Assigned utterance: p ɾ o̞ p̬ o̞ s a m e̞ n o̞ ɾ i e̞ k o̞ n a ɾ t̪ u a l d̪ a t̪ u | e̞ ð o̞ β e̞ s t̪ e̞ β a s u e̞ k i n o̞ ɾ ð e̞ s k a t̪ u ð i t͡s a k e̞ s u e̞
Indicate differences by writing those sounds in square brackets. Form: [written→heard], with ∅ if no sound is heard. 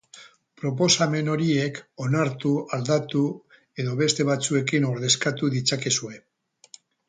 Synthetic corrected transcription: p ɾ o̞ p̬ o̞ s a m e̞ n o̞ ɾ i e̞ k o̞ n a ɾ t̪ u a l d̪ a t̪ u | e̞ ð o̞ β e̞ s t̪ e̞ β a [s→t͡s] u e̞ k i n o̞ ɾ ð e̞ s k a t̪ u ð i t͡s a k e̞ s u e̞

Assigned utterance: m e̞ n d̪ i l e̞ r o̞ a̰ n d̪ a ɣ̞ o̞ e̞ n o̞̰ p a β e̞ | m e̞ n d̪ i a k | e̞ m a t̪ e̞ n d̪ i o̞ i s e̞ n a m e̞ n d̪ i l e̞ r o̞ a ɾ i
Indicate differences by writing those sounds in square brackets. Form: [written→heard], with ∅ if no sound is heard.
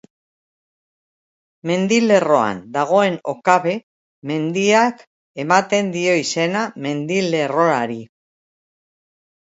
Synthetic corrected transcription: m e̞ n d̪ i l e̞ r o̞ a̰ n d̪ a ɣ̞ o̞ e̞ n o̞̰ [p→k] a β e̞ | m e̞ n d̪ i a k | e̞ m a t̪ e̞ n d̪ i o̞ i s e̞ n a m e̞ n d̪ i l e̞ r o̞ a ɾ i

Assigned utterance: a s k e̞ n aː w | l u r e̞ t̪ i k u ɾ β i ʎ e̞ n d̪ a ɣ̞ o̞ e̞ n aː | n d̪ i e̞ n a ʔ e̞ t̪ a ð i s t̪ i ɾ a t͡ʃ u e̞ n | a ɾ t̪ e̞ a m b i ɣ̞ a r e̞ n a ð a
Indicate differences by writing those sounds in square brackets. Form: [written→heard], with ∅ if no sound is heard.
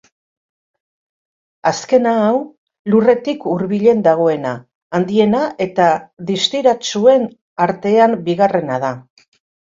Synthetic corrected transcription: a s k e̞ n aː w | l u r e̞ t̪ i k u ɾ β i ʎ e̞ n d̪ a ɣ̞ o̞ e̞ n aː | n d̪ i e̞ n a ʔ e̞ t̪ a ð i s t̪ i ɾ a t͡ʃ u e̞ n | a ɾ t̪ e̞ a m b i ɣ̞ a r e̞ n a ð a

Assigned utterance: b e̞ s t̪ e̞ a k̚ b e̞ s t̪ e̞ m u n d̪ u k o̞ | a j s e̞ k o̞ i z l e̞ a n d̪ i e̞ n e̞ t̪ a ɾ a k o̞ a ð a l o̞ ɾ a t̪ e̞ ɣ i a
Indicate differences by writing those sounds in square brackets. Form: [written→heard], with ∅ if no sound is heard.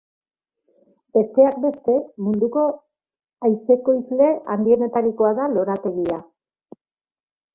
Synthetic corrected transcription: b e̞ s t̪ e̞ a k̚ b e̞ s t̪ e̞ m u n d̪ u k o̞ | a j s e̞ k o̞ i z l e̞ a n d̪ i e̞ n e̞ t̪ a ɾ [a→i] k o̞ a ð a l o̞ ɾ a t̪ e̞ ɣ i a

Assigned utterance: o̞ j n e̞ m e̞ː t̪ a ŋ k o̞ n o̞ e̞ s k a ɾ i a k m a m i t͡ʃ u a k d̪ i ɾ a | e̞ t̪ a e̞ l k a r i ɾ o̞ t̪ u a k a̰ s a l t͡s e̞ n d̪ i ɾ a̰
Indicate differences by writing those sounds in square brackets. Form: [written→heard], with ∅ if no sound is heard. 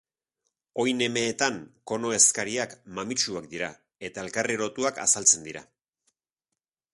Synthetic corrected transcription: o̞ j n e̞ m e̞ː t̪ a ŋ k o̞ n o̞ e̞ s k a ɾ i a k m a m i t͡ʃ u a k d̪ i ɾ a | e̞ t̪ a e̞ l k a r i ɾ o̞ t̪ u a k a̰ s a l t͡s e̞ n d̪ i ɾ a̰

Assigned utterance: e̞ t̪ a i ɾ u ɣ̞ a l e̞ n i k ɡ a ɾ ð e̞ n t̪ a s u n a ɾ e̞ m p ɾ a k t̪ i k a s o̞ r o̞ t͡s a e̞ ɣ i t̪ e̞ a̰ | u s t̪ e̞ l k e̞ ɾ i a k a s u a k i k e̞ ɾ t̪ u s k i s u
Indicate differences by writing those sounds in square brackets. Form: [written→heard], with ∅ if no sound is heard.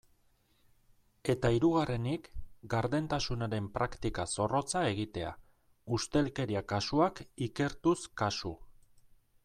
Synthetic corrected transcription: e̞ t̪ a i ɾ u ɣ̞ a [l→r] e̞ n i k ɡ a ɾ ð e̞ n t̪ a s u n a ɾ e̞ m p ɾ a k t̪ i k a s o̞ r o̞ t͡s a e̞ ɣ i t̪ e̞ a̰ | u s t̪ e̞ l k e̞ ɾ i a k a s u a k i k e̞ ɾ t̪ u s k [i→a] s u

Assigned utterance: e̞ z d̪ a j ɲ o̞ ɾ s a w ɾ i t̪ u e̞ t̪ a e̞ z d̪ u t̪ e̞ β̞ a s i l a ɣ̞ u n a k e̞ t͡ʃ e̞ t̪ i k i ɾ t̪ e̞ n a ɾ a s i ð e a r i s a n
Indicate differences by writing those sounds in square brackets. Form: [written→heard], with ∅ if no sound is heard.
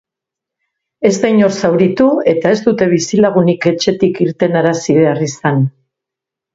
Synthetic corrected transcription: e̞ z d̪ a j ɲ o̞ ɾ s a w ɾ i t̪ u e̞ t̪ a e̞ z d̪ u t̪ e̞ β̞ [a→i] s i l a ɣ̞ u n [a→i] k e̞ t͡ʃ e̞ t̪ i k i ɾ t̪ e̞ n a ɾ a s i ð e a r i s a n

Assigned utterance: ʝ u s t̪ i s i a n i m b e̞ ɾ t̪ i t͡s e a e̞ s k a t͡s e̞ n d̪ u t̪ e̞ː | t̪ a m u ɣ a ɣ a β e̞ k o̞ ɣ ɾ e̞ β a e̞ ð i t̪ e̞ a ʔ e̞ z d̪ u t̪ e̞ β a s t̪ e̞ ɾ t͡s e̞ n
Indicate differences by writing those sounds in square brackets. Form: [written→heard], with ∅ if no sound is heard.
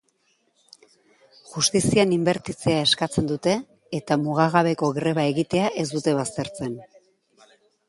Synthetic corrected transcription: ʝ u s t̪ i s i a n i m b e̞ ɾ t̪ i t͡s e a e̞ s k a t͡s e̞ n d̪ u t̪ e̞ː | t̪ a m u ɣ a ɣ a β e̞ k o̞ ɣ ɾ e̞ β a e̞ [ð→ɣ] i t̪ e̞ a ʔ e̞ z d̪ u t̪ e̞ β a s t̪ e̞ ɾ t͡s e̞ n

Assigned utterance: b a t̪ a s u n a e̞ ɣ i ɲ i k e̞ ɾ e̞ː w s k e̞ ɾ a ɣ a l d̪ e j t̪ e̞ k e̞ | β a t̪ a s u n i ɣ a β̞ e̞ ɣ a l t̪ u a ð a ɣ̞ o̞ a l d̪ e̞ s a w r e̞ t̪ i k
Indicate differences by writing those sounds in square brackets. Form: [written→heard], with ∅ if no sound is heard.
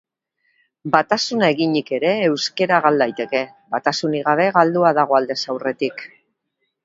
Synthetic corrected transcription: b a t̪ a s u n a e̞ ɣ i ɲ i k e̞ ɾ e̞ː w s k e̞ ɾ a ɣ a l d̪ [e→a] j t̪ e̞ k e̞ | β a t̪ a s u n i ɣ a β̞ e̞ ɣ a l [t̪→d̪] u a ð a ɣ̞ o̞ a l d̪ e̞ s a w r e̞ t̪ i k

